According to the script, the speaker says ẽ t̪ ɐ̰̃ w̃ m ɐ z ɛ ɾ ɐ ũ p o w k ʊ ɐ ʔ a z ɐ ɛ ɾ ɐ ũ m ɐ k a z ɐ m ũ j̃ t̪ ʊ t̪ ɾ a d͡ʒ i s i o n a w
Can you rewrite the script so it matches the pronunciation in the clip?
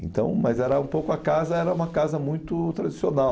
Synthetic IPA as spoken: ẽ t̪ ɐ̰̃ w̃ m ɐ z ɛ ɾ ɐ ũ p o w k ʊ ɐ k a z ɐ ɛ ɾ ɐ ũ m ɐ k a z ɐ m ũ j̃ t̪ ʊ t̪ ɾ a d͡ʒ i s i o n a w

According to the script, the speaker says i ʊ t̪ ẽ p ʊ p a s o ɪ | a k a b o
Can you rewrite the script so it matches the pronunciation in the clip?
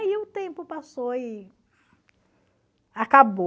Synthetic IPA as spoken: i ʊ t̪ ẽ p ʊ p a s o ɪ | a k a b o

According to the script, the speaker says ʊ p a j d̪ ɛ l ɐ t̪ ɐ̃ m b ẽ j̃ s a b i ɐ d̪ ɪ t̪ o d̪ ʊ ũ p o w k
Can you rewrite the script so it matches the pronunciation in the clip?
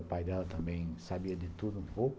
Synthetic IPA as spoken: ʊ p a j d̪ ɛ l ɐ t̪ ɐ̃ m b ẽ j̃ s a b i ɐ d̪ ɪ t̪ u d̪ ʊ ũ p o w k

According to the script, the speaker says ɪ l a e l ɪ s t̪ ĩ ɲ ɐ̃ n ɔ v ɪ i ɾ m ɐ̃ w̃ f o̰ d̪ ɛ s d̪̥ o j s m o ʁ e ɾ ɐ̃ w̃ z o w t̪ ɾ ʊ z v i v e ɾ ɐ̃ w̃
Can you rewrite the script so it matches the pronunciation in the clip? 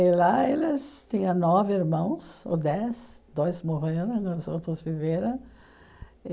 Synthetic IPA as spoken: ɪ l a e l ɪ s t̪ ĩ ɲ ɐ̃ n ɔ v ɪ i ɾ m ɐ̃ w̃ s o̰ d̪ ɛ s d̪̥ o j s m o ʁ e ɾ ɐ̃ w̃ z o w t̪ ɾ ʊ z v i v e ɾ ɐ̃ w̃

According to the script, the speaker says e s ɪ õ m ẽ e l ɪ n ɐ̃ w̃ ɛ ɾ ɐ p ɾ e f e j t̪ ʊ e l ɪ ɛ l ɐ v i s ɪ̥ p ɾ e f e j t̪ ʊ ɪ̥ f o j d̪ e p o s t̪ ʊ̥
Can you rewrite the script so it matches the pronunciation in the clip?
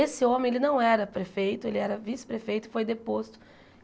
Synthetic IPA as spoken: e s ɪ õ m ẽ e l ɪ n ɐ̃ w̃ ɛ ɾ ɐ p ɾ e f e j t̪ ʊ e l ɪ ɛ ɾ ɐ v i s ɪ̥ p ɾ e f e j t̪ ʊ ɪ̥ f o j d̪ e p o s t̪ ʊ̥

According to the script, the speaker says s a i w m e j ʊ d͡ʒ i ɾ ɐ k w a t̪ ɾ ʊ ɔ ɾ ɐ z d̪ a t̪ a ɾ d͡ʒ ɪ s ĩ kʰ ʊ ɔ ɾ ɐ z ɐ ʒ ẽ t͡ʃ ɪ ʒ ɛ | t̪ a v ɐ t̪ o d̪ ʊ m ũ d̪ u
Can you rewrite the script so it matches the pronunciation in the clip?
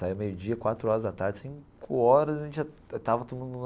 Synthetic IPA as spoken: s a i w m e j ʊ d͡ʒ i ɐ k w a t̪ ɾ ʊ ɔ ɾ ɐ z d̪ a t̪ a ɾ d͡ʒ ɪ s ĩ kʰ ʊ ɔ ɾ ɐ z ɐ ʒ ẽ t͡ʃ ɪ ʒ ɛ | t̪ a v ɐ t̪ o d̪ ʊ m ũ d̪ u

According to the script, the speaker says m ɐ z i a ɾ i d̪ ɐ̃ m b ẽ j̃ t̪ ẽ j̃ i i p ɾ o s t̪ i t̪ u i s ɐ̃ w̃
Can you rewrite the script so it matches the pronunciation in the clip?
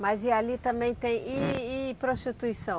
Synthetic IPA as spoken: m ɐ z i a l i t̪ ɐ̃ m b ẽ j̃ t̪ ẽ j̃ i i p ɾ o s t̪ i t̪ u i s ɐ̃ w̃

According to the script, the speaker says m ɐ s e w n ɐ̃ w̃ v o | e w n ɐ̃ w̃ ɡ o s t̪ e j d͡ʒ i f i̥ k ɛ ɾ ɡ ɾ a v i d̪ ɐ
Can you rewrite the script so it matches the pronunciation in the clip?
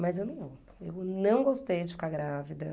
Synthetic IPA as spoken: m ɐ z e w n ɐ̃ w̃ v o | e w n ɐ̃ w̃ ɡ o s t̪ e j d͡ʒ ɪ f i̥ k a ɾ ɡ ɾ a v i d̪ ɐ

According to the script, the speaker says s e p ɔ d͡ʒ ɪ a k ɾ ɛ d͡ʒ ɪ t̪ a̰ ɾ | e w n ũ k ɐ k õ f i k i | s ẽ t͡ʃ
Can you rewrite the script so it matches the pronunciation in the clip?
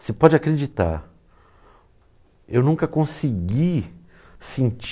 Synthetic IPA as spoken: s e p ɔ d͡ʒ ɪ a k ɾ e d͡ʒ i t̪ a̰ ɾ | e w n ũ k ɐ k õ s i ɡ i | s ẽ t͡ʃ

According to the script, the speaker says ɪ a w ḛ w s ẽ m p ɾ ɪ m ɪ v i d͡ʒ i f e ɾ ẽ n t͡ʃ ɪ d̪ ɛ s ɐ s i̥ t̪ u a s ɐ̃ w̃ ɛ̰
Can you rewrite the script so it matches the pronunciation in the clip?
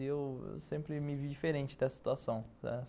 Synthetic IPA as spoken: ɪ e w ḛ w s ẽ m p ɾ ɪ m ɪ v i d͡ʒ i f e ɾ ẽ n t͡ʃ ɪ d̪ ɛ s ɐ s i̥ t̪ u a s ɐ̃ w̃ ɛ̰

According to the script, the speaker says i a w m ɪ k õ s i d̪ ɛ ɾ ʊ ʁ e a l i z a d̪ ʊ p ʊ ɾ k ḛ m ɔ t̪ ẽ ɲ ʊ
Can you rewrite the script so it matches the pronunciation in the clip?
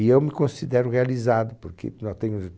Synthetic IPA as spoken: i e w m ɪ k õ s i d̪ ɛ ɾ ʊ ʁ e a l i z a d̪ ʊ p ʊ ɾ k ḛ n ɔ t̪ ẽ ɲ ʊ

